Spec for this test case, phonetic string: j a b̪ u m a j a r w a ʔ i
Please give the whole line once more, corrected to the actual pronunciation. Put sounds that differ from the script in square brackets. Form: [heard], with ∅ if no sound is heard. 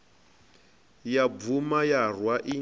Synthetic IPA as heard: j a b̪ u m a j a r w a ʔ i